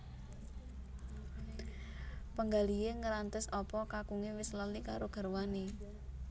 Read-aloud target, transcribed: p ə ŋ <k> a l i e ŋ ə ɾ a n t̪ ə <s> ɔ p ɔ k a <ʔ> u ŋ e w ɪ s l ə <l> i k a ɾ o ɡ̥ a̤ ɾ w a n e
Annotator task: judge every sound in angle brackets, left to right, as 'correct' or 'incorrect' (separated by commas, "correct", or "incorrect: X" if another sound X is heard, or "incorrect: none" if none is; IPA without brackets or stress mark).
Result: incorrect: ɡ, correct, incorrect: k, correct